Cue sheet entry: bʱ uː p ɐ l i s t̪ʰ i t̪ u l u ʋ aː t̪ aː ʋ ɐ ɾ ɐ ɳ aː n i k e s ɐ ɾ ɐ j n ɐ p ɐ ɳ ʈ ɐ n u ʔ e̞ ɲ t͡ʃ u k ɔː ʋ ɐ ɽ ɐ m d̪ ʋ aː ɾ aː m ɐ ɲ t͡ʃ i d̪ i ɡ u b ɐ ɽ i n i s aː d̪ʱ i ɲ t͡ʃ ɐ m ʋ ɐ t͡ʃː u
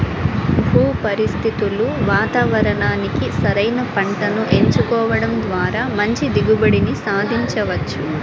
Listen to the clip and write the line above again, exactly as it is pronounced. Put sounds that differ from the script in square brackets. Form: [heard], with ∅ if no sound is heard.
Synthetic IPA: bʱ uː p ɐ [ɾ] i s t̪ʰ i t̪ u l u ʋ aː t̪ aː ʋ ɐ ɾ ɐ ɳ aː n i k [i] s ɐ ɾ ɐ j n ɐ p ɐ ɳ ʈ ɐ n u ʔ e̞ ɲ t͡ʃ u k ɔː ʋ ɐ ɽ ɐ m d̪ ʋ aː ɾ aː m ɐ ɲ t͡ʃ i d̪ i ɡ u b ɐ ɽ i n i s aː d̪ʱ i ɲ t͡ʃ ɐ [∅] ʋ ɐ t͡ʃː u

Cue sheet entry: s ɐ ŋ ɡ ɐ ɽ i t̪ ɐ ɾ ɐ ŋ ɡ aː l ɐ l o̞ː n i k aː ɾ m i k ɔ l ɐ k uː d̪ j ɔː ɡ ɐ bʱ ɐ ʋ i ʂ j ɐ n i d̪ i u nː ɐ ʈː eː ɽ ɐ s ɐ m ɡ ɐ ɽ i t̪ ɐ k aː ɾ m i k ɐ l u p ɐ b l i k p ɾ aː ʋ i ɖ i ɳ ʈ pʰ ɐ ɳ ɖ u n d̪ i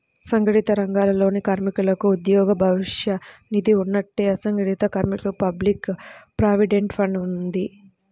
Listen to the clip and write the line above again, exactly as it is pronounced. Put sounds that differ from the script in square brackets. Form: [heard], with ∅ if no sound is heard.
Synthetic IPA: s ɐ ŋ ɡ ɐ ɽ i t̪ ɐ ɾ ɐ ŋ ɡ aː l ɐ l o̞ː n i k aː ɾ m i k [u] l ɐ k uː d̪ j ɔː ɡ ɐ bʱ ɐ ʋ i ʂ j ɐ n i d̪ i u nː ɐ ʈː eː [∅] ɐ s ɐ [ŋ] ɡ ɐ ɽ i t̪ ɐ k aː ɾ m i k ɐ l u p ɐ b l i k p ɾ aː ʋ i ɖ [e] ɳ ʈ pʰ ɐ ɳ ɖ u n d̪ i

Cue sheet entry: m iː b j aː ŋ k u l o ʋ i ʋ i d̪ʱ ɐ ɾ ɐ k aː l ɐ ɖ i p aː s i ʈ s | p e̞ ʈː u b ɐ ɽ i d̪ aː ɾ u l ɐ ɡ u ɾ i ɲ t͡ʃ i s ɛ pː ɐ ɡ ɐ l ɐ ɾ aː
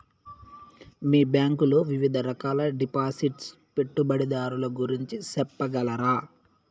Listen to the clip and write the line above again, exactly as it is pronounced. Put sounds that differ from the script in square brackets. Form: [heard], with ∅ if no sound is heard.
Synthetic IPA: m iː b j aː ŋ k u l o ʋ i ʋ i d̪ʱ ɐ ɾ ɐ k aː l ɐ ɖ i p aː s i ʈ s | p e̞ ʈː u b ɐ ɽ i d̪ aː ɾ u l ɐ ɡ u ɾ i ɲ t͡ʃ i s ɛ pː ɐ ɡ ɐ l ɐ ɾ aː

